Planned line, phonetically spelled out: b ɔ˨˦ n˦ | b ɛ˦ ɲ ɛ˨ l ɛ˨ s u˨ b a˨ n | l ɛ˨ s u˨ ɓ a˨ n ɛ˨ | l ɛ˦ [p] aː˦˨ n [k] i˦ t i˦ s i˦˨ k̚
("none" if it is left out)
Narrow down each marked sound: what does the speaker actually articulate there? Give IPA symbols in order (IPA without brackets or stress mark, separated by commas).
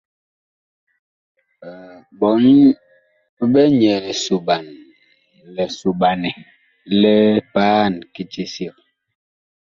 p, k